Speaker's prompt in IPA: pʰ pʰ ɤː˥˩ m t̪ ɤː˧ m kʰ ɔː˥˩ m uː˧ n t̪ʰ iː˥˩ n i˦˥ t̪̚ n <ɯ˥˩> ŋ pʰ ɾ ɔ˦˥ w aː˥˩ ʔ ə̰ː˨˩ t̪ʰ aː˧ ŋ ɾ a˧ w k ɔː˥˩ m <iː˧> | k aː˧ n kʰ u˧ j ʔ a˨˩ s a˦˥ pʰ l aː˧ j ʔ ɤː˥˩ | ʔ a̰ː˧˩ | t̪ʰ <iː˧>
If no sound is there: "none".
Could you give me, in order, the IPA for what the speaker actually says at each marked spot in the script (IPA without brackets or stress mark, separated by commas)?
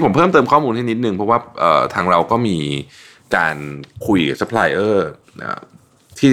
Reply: ɯ˧, iː˧, iː˥˩